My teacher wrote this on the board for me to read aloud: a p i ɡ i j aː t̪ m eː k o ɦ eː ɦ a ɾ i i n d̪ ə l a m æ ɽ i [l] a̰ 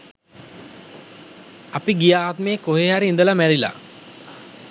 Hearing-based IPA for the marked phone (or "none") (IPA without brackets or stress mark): l